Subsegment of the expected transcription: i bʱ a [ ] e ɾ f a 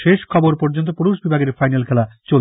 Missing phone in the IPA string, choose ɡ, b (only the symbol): ɡ